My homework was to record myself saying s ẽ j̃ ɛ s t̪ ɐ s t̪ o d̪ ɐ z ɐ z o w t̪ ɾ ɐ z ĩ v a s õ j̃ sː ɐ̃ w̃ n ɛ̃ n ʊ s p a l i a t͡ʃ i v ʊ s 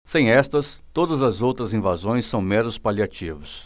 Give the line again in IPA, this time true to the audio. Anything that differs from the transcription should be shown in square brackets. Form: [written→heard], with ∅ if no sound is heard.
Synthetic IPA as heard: s ẽ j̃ ɛ s t̪ ɐ s t̪ o d̪ ɐ z ɐ z o w t̪ ɾ ɐ z ĩ v a [s→z] õ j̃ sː ɐ̃ w̃ [n→m] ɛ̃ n ʊ s p a l i a t͡ʃ i v ʊ s